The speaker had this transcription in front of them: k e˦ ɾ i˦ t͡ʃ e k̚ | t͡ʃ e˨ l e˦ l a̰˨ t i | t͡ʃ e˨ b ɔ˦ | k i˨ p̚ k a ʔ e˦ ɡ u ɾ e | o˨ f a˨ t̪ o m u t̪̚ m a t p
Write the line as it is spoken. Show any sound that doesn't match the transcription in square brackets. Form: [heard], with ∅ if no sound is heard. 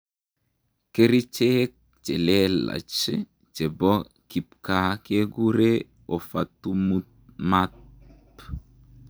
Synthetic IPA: k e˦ ɾ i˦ t͡ʃ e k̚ | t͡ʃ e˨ l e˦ l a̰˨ [t͡ʃ] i | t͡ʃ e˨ b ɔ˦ | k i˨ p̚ k a [k] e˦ ɡ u ɾ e | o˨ f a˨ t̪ [u] m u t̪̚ m a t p